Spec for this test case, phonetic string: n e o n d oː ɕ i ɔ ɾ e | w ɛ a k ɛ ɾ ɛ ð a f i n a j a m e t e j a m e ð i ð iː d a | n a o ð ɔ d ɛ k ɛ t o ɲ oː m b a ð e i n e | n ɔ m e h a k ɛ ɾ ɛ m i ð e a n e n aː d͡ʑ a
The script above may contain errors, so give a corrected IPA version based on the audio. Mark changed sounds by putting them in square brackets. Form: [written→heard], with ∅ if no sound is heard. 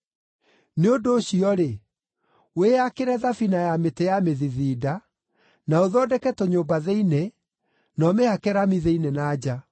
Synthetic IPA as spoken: n e o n d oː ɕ i ɔ ɾ e | w [ɛ→e] a k [ɛ→e] ɾ ɛ ð a f i n a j a m e t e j a m e ð i ð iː d a | n a o ð ɔ d ɛ k ɛ t o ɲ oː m b a ð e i n e | n ɔ m e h a k ɛ ɾ [ɛ→a] m i ð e [a→i] n e n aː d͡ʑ a